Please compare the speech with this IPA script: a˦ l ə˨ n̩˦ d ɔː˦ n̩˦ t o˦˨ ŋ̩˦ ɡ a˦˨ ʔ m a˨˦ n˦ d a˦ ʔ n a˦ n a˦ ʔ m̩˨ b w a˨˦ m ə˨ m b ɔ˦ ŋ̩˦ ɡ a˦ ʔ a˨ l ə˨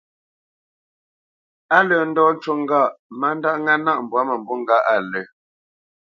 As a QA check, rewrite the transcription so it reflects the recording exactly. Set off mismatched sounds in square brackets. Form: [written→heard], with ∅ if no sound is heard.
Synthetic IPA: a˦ l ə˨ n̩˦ d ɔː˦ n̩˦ [t→t͡ʃ] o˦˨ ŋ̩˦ ɡ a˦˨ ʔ m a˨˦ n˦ d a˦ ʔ [n→ŋ] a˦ n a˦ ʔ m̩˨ b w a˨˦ m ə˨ m b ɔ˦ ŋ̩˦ ɡ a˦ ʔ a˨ l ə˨

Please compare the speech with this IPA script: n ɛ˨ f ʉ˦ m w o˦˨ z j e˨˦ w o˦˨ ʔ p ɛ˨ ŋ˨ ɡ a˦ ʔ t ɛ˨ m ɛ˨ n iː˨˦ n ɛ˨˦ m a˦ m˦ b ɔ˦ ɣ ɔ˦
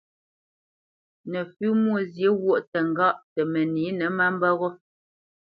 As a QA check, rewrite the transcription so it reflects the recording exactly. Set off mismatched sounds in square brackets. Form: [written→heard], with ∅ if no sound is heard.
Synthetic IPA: n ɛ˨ f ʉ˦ m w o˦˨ z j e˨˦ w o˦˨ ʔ [p→t] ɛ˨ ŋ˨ ɡ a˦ ʔ t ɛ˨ m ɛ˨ n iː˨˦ n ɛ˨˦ m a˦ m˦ b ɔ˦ ɣ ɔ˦

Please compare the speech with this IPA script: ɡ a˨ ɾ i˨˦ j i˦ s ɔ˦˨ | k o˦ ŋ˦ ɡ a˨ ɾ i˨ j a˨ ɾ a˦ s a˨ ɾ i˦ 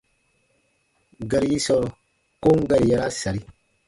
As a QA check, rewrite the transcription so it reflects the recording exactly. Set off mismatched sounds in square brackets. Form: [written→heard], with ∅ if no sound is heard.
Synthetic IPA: ɡ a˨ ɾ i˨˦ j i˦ s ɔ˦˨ | k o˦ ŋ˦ ɡ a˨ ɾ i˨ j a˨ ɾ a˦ s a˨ ɾ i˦

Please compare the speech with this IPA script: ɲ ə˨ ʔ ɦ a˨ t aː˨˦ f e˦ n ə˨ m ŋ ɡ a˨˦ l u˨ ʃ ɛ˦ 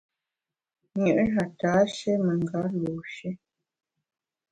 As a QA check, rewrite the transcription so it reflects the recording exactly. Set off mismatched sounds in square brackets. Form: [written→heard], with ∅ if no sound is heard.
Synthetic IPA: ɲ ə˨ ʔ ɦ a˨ t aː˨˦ [f→ʃ] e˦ [n→m] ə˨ [m→∅] ŋ ɡ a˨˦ l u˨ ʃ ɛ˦

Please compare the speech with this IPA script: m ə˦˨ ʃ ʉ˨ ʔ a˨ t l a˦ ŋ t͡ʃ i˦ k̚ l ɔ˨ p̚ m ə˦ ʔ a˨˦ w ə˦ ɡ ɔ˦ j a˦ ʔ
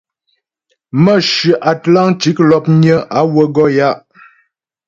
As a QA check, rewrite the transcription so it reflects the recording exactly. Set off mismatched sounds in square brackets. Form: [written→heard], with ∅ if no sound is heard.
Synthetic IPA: m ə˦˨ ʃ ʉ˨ ʔ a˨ t l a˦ ŋ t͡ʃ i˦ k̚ l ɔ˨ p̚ [m→ɲ] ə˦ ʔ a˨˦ w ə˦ ɡ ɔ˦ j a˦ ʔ

